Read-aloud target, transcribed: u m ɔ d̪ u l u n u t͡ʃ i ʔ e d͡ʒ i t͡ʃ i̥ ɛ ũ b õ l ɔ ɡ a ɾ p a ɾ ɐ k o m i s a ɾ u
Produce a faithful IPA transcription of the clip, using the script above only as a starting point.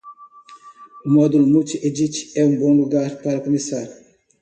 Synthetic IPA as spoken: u m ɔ d̪ u l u m u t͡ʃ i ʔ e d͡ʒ i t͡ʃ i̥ ɛ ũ b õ l u ɡ a ɾ p a ɾ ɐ k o m i s a ɾ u